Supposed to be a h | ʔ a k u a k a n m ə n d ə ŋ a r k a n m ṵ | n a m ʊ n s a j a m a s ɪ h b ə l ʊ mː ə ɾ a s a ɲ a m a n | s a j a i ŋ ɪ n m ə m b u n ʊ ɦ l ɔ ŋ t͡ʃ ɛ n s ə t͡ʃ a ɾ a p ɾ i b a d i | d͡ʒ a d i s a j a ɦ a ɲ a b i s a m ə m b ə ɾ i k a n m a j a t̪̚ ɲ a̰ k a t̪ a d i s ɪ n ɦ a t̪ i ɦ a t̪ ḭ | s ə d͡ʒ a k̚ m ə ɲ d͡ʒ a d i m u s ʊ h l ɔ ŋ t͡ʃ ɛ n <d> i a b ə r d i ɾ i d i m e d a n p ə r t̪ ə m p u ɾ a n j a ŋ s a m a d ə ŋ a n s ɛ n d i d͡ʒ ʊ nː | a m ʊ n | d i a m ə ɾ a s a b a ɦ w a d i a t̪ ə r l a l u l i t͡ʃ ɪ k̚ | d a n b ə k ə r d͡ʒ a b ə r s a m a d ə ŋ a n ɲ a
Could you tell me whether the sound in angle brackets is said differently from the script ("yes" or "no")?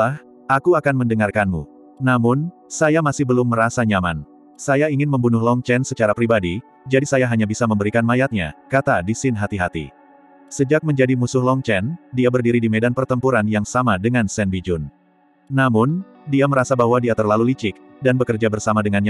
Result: no